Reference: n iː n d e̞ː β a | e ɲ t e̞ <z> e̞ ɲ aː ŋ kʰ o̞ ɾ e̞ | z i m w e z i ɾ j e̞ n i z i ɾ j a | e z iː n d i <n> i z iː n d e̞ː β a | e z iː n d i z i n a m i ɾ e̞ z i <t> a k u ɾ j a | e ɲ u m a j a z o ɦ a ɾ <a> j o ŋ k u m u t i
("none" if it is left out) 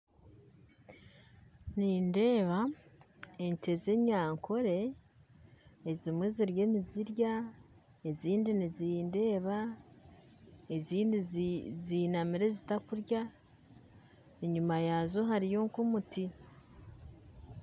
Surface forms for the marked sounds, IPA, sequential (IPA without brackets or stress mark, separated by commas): z, n, t, i